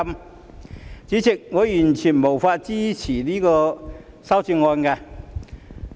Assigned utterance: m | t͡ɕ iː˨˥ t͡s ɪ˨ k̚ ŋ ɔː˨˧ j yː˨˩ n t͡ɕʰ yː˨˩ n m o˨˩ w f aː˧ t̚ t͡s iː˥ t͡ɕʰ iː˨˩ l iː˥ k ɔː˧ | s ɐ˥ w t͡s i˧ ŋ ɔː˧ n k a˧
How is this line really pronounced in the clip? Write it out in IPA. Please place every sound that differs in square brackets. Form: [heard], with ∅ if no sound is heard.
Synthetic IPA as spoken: m | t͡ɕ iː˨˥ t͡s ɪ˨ k̚ ŋ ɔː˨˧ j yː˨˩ n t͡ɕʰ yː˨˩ n m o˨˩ w f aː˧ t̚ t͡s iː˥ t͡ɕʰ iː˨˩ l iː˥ k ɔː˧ | s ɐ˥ w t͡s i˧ ŋ ɔː˧ n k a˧